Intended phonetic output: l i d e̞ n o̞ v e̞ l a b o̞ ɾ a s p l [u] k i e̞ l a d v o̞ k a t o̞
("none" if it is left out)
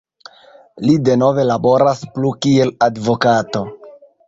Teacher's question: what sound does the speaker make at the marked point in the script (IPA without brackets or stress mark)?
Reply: u